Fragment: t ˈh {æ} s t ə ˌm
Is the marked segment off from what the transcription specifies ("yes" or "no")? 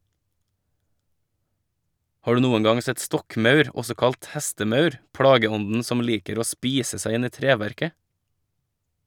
yes